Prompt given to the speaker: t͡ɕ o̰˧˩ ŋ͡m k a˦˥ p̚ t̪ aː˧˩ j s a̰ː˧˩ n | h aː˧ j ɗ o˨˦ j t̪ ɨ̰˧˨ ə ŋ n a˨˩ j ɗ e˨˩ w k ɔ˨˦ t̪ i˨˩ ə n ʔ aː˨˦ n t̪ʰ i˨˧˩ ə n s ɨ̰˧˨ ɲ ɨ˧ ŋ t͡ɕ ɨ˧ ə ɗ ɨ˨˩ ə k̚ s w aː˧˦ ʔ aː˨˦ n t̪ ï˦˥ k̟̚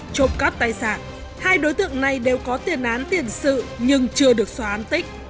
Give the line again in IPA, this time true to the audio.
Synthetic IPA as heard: t͡ɕ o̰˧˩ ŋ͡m k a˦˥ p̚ t̪ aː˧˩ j s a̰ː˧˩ n | h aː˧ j ɗ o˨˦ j t̪ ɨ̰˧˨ ə ŋ n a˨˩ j ɗ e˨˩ w k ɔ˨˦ t̪ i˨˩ ə n ʔ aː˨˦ n t̪ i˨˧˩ ə n s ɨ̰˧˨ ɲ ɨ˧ ŋ t͡ɕ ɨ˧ ə ɗ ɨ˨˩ ə k̚ s w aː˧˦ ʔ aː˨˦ n t̪ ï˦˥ k̟̚

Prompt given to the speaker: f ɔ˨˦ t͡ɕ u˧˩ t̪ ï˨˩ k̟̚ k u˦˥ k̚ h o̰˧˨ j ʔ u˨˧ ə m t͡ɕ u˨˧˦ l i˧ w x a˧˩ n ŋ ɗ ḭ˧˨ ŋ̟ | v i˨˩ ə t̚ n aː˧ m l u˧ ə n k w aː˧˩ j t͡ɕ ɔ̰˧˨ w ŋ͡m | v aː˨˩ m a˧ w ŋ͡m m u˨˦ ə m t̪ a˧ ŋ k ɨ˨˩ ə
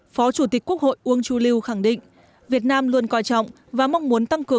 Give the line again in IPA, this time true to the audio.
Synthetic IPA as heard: f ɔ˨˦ t͡ɕ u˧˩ t̪ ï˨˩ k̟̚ k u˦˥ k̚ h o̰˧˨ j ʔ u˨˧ ə ŋ t͡ɕ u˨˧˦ l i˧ w x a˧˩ ŋ ɗ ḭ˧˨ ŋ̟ | v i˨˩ ə t̚ n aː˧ m l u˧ ə n k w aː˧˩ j t͡ɕ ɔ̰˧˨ w ŋ͡m | v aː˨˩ m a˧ w ŋ͡m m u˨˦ ə n t̪ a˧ ŋ k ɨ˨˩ ə

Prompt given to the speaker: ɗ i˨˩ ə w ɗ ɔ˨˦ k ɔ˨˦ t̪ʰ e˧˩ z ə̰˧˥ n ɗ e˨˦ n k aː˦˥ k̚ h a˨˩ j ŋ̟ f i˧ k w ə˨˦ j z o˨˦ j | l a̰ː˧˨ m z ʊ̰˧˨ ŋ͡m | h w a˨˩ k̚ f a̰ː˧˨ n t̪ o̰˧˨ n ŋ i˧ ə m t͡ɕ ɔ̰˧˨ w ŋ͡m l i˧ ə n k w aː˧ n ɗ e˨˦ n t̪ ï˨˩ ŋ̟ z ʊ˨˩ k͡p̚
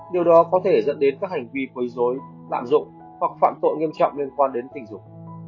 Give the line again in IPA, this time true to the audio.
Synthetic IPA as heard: ɗ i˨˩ ə w ɗ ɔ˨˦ k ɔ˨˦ t̪ʰ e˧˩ z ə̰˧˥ n ɗ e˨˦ n k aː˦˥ k̚ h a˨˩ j ŋ̟ v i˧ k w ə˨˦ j z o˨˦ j | l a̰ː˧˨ m z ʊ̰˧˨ ŋ͡m | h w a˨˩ k̚ f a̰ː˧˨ m t̪ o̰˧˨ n ŋ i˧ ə m t͡ɕ ɔ̰˧˨ w ŋ͡m l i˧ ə n k w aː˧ n ɗ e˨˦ n t̪ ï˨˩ ŋ̟ z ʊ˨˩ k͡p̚

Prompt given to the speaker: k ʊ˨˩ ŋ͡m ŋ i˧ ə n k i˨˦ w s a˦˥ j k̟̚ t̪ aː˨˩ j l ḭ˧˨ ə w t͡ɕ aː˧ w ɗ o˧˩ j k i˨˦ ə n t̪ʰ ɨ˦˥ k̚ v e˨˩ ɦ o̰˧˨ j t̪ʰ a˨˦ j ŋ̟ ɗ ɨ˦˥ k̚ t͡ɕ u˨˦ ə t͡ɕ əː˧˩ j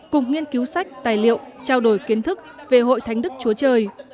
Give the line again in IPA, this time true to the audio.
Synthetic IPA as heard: k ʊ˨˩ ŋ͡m ŋ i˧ ə n k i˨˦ w s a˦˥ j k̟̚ t̪ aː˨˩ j l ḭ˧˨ ə w t͡ɕ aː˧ w ɗ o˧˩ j k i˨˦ ə n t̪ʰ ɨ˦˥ k̚ v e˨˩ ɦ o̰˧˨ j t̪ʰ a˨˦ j ŋ̟ ɗ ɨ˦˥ k̚ t͡ɕ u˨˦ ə t͡ɕ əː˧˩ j

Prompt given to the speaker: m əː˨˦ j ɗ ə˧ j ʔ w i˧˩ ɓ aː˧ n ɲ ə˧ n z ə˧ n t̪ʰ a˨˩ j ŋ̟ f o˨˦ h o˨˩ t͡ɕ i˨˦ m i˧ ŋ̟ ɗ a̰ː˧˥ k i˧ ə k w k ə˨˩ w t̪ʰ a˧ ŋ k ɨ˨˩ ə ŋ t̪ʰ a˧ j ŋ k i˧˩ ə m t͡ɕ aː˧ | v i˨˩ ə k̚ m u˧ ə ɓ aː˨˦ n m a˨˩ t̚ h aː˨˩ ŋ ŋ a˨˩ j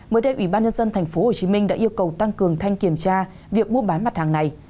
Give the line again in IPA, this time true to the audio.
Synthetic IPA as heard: m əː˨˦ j ɗ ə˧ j ʔ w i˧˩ ɓ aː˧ n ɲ ə˧ n z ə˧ n t̪ʰ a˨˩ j ŋ̟ f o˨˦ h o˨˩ t͡ɕ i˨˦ m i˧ ŋ̟ ɗ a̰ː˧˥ ʔ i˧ ə w k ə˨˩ w t̪ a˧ ŋ k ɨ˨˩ ə ŋ t̪ʰ a˧ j ŋ k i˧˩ ə m t͡ɕ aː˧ | v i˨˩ ə k̚ m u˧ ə ɓ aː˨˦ n m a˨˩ t̚ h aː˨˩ ŋ n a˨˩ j

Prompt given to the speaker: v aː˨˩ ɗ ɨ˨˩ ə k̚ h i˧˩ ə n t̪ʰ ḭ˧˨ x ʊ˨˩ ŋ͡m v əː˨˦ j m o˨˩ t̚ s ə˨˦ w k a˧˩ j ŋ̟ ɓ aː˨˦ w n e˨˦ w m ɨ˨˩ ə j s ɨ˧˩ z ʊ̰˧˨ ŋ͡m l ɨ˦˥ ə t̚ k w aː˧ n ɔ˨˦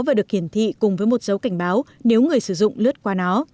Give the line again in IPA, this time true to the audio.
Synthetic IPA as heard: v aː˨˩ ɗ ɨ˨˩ ə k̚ h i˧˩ ə n t̪ʰ ḭ˧˨ k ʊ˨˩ ŋ͡m v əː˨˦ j m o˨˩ t̚ s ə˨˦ w k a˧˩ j ŋ̟ ɓ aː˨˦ w n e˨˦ w ŋ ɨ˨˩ ə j s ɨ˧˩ z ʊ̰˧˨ ŋ͡m l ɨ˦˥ ə t̚ k w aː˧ n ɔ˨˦

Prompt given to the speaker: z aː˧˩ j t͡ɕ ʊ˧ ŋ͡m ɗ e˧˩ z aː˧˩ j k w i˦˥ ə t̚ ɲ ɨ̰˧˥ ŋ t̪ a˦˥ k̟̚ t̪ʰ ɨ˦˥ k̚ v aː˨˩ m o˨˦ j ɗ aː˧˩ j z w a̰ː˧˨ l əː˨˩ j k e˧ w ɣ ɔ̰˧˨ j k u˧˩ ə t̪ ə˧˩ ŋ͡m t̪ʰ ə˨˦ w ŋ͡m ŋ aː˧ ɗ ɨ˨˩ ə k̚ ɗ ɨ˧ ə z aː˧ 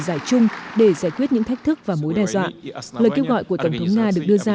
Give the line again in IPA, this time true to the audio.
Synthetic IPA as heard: z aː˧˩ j t͡ɕ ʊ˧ ŋ͡m ɗ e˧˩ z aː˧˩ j k w i˦˥ ə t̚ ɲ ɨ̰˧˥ ŋ t̪ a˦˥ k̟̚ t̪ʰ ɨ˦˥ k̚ v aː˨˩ m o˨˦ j ɗ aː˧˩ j z w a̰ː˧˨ l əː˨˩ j k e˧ w ɣ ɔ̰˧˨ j k u˧˩ ə t̪ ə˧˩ ŋ͡m t̪ʰ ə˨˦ w ŋ͡m ŋ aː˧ ɗ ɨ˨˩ ə k̚ ɗ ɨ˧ ə z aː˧

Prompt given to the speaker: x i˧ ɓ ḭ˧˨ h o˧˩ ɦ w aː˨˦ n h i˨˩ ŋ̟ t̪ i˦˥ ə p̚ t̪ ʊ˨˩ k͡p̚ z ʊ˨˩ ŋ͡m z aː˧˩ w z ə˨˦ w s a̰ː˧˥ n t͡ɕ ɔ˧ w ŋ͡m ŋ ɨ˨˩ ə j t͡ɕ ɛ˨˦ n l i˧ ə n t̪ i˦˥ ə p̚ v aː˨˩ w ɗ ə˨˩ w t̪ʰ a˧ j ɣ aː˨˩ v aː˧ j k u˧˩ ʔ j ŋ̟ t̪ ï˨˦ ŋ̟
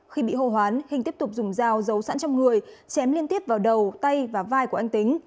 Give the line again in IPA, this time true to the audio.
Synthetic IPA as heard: x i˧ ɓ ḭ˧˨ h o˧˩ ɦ w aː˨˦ n h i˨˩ ŋ̟ t̪ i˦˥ ə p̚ t̪ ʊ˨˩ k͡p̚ z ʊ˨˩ ŋ͡m z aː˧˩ w z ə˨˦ w s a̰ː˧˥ n t͡ɕ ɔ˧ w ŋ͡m ŋ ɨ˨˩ ə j t͡ɕ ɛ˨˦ m l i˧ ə n t̪ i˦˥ ə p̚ v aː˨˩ w ɗ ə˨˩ w t̪ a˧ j v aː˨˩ v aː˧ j k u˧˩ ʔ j ŋ̟ t̪ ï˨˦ ŋ̟

